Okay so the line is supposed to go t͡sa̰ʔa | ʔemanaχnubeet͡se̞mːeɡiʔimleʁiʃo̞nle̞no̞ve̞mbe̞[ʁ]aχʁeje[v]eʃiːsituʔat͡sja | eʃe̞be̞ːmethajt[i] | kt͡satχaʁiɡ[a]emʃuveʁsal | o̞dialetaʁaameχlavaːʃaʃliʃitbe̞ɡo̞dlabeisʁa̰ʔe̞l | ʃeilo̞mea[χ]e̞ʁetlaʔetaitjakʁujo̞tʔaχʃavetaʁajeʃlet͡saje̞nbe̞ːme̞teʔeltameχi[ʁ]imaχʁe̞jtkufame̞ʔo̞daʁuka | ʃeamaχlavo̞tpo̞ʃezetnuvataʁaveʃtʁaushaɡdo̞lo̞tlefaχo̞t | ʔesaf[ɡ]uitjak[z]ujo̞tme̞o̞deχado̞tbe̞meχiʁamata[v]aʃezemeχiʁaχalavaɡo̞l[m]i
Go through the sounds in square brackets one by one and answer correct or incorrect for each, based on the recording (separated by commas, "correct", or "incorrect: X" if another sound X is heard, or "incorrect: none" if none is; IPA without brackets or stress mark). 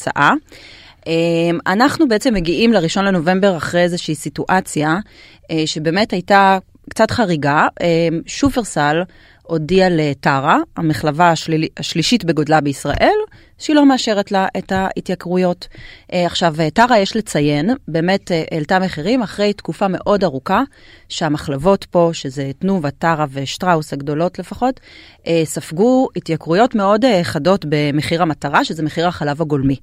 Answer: correct, incorrect: z, incorrect: a, correct, incorrect: ʃ, correct, correct, incorrect: ʁ, incorrect: ʁ, correct